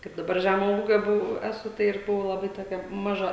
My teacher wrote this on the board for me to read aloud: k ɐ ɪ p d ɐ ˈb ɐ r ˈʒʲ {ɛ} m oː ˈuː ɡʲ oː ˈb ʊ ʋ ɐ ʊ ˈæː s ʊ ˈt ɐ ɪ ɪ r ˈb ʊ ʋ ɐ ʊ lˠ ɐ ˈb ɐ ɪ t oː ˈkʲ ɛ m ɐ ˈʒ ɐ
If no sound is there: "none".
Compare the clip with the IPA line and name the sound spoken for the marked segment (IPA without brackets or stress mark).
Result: æ